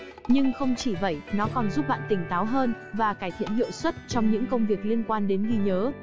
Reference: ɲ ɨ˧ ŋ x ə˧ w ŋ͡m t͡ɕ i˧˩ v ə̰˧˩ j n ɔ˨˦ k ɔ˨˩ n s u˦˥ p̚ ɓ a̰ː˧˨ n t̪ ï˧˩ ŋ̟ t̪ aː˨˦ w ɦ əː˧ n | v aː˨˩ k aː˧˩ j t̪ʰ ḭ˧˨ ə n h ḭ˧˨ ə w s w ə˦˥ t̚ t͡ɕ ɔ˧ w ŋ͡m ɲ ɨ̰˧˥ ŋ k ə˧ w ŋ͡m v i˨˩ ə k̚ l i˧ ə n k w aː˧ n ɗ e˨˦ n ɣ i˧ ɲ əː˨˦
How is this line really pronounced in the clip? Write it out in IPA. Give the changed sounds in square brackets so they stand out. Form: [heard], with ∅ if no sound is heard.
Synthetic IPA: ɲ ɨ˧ ŋ x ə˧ w ŋ͡m t͡ɕ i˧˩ v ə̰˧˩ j n ɔ˨˦ k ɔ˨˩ n [z] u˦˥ p̚ ɓ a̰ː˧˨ n t̪ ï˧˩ ŋ̟ t̪ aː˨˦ w ɦ əː˧ n | v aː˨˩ k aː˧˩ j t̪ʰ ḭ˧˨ ə n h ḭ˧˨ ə w s w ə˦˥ t̚ t͡ɕ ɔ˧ w ŋ͡m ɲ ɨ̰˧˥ ŋ k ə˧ w ŋ͡m v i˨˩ ə k̚ l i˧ ə n k w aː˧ n ɗ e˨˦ n ɣ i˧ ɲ əː˨˦